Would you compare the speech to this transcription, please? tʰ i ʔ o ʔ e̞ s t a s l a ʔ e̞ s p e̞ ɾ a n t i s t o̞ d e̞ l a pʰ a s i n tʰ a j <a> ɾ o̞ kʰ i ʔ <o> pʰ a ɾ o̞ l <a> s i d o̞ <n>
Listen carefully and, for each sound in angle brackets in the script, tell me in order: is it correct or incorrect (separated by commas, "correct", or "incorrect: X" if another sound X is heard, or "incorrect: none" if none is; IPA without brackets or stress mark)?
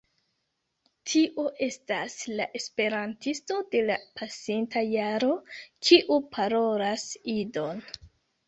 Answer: correct, incorrect: u, correct, correct